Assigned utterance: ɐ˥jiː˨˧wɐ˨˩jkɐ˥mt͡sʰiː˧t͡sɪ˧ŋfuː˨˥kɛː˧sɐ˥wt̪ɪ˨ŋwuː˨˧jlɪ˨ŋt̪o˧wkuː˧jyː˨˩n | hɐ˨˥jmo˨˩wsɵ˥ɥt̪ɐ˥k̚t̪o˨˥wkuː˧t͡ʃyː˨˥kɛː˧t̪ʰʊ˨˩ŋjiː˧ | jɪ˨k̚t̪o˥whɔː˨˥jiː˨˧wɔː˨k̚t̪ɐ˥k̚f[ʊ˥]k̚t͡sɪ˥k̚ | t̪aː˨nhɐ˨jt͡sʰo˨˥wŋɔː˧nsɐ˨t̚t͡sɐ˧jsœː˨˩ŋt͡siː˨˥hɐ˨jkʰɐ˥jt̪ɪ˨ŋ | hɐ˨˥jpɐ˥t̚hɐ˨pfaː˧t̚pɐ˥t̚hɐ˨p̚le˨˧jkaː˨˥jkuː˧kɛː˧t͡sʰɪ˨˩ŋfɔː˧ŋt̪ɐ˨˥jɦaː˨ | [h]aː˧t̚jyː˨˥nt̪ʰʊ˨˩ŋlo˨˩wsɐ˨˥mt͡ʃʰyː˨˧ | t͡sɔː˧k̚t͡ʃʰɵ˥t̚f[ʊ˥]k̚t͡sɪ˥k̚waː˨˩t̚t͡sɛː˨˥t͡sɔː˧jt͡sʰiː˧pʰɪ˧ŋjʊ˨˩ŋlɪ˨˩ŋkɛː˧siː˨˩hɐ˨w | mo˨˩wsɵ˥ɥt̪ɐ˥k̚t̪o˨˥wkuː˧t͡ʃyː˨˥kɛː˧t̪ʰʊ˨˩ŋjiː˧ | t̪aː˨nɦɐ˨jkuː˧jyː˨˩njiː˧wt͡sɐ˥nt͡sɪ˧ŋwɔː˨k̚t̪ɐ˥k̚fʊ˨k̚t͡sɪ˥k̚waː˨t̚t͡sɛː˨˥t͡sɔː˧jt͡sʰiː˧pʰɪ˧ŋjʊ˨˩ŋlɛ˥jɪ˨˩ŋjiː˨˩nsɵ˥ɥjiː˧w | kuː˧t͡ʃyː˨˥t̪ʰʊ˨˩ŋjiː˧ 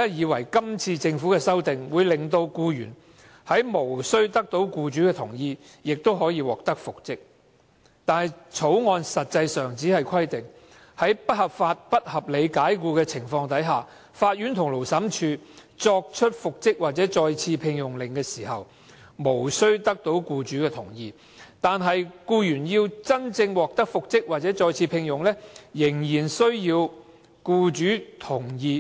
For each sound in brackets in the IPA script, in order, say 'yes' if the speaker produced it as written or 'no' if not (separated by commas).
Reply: no, no, no